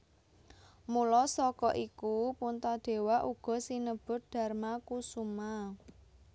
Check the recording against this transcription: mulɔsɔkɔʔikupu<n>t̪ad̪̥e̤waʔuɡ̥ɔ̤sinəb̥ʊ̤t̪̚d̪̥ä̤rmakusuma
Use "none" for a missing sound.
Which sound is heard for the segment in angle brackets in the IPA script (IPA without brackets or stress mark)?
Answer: n